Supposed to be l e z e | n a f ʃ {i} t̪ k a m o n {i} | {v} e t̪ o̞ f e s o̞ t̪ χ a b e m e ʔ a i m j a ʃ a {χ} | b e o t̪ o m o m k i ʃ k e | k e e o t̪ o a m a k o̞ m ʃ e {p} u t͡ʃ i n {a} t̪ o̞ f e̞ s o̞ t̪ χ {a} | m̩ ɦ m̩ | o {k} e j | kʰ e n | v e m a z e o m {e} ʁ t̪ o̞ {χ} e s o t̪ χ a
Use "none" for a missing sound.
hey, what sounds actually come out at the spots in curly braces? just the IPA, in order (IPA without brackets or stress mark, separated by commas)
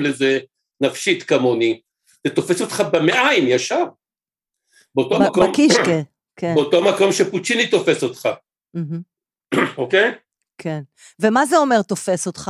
i, i, z, ʁ, p, i, a, k, e, f